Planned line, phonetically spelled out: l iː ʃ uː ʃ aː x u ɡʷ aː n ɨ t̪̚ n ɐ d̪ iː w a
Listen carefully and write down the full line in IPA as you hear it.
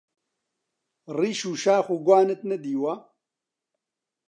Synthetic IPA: r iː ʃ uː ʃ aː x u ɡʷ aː n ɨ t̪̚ n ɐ d̪ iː w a

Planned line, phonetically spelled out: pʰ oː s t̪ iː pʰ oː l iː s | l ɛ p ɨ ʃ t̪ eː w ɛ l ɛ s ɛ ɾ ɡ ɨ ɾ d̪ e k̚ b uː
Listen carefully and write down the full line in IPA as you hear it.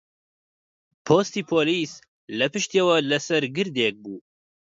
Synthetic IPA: pʰ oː s t̪ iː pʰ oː l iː s | l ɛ p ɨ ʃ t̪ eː w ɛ l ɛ s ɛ ɾ ɡ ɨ ɾ d̪ e k̚ b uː

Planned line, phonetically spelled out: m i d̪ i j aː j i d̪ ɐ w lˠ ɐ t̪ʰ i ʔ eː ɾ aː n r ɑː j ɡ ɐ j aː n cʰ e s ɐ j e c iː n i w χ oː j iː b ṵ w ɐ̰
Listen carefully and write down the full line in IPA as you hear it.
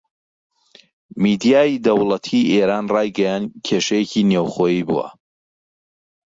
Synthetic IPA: m i d̪ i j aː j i d̪ ɐ w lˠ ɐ t̪ʰ i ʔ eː ɾ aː n r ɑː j ɡ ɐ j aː n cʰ e ʃ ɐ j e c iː n e w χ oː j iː b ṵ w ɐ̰

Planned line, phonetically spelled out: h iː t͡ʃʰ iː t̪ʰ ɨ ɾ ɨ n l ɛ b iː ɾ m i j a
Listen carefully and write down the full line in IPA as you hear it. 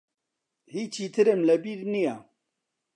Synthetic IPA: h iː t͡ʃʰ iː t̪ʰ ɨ ɾ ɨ m l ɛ b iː ɾ n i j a

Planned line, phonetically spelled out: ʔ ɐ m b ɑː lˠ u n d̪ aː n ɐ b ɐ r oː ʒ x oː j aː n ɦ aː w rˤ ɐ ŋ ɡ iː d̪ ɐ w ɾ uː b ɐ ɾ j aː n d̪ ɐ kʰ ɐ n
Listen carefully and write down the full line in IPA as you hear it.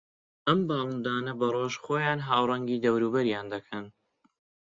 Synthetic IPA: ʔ ɐ m b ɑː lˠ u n d̪ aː n ɐ b ɐ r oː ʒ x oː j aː n ɦ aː w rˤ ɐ ŋ ɡ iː d̪ ɐ w ɾ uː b ɐ ɾ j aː n d̪ ɐ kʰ ɐ n

